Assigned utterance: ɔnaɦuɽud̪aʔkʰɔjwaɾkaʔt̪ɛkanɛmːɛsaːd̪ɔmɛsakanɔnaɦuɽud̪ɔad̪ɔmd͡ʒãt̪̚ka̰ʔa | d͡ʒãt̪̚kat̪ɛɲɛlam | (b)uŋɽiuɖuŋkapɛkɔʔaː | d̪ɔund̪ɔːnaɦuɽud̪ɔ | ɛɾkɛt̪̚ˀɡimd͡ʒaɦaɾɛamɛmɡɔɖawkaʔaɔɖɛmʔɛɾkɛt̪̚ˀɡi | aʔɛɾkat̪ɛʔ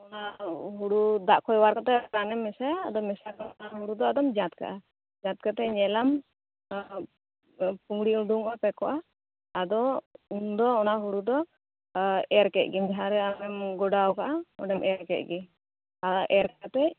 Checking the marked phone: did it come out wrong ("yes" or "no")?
yes